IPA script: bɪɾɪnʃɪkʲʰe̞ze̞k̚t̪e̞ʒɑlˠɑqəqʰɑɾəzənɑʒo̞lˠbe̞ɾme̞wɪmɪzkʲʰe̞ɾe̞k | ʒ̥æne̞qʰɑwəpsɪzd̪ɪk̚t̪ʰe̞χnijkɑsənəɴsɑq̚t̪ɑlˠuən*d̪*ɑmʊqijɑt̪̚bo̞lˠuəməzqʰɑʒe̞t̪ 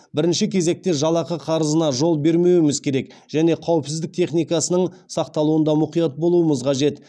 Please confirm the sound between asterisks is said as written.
yes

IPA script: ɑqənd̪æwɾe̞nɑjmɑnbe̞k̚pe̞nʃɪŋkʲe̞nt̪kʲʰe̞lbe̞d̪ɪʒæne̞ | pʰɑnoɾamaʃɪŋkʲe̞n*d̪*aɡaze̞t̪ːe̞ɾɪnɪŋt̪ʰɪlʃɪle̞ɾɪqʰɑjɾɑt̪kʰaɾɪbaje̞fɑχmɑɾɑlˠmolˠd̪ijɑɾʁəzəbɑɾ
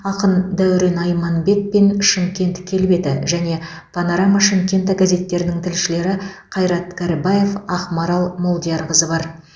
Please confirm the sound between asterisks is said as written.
no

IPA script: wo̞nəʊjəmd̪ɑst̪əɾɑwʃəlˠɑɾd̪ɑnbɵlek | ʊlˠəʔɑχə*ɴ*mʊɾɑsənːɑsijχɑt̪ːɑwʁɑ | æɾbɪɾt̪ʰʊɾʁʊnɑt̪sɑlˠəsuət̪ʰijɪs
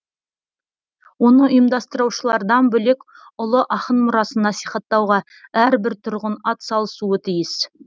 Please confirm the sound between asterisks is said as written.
no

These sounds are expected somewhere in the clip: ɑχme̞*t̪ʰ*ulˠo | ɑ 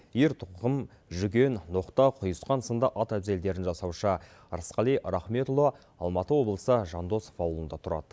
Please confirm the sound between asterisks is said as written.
no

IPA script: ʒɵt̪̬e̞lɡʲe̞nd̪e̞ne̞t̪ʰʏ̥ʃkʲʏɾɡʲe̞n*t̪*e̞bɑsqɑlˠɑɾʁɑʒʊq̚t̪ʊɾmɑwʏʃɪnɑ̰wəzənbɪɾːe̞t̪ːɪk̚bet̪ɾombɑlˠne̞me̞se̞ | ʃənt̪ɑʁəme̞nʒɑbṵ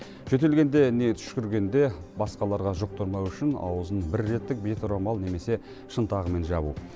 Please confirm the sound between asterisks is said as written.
no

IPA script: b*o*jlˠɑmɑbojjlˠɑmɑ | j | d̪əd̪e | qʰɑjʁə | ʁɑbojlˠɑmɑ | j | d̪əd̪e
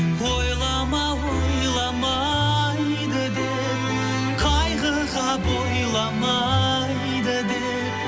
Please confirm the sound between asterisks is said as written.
yes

